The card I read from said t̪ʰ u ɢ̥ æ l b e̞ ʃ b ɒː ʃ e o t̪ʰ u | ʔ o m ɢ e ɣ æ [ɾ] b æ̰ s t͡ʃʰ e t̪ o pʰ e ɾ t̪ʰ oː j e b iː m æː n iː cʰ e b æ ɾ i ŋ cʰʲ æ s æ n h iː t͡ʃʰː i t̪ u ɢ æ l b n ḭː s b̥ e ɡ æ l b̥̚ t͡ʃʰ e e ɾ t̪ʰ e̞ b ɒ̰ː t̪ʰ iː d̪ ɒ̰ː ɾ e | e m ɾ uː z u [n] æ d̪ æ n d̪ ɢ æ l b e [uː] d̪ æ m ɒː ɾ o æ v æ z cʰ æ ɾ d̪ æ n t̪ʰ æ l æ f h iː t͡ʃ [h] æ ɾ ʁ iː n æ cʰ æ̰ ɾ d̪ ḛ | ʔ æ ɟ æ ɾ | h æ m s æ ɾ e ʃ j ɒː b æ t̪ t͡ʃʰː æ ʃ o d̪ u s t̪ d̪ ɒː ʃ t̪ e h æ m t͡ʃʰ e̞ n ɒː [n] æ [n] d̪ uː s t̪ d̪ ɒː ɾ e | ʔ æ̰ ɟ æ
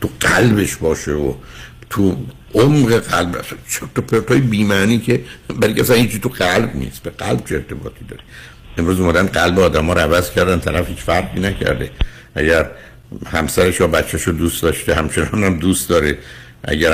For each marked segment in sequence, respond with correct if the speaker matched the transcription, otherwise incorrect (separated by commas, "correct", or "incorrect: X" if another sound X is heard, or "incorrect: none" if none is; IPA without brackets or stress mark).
incorrect: l, incorrect: m, incorrect: ɒː, incorrect: f, correct, incorrect: m